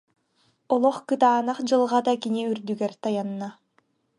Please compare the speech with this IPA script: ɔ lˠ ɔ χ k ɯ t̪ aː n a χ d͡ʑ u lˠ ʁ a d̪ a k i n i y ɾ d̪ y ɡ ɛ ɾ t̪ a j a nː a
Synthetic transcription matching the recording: ɔ lˠ ɔ χ k ɯ t̪ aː n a χ d͡ʑ ɯ lˠ ʁ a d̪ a k i n i y ɾ d̪ y ɡ ɛ ɾ t̪ a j a nː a